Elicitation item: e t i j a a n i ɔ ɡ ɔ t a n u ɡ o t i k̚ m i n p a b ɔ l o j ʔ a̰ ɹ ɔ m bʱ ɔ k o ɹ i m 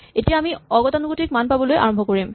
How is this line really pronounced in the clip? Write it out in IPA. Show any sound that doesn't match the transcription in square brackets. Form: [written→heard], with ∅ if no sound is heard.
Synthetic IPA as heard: e t i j a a [n→m] i ɔ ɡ ɔ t a n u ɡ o t i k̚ m [i→a] n p a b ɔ l o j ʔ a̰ ɹ ɔ m bʱ ɔ k o ɹ i m